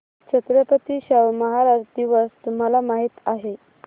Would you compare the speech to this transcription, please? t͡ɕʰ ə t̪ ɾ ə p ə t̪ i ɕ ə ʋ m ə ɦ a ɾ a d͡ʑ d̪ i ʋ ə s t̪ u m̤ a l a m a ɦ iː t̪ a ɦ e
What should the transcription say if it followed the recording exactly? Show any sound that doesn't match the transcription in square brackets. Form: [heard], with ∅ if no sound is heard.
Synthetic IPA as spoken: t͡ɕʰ ə t̪ ɾ ə p ə t̪ i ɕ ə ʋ m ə ɦ a ɾ a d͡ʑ d̪ i ʋ ə s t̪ u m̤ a l a m a ɦ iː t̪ a ɦ e